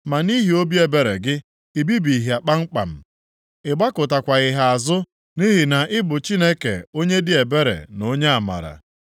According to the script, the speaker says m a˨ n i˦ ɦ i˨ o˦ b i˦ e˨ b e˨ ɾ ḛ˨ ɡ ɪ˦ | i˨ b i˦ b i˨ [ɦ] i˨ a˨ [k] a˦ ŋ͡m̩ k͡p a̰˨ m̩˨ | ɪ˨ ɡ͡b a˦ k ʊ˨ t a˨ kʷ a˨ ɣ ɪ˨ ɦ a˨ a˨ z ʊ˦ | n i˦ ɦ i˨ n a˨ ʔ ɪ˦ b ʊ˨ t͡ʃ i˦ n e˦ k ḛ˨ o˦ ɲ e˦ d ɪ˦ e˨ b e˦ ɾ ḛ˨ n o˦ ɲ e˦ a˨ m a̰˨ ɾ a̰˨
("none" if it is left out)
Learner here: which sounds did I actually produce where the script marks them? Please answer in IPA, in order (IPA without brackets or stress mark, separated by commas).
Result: ɦ, k͡p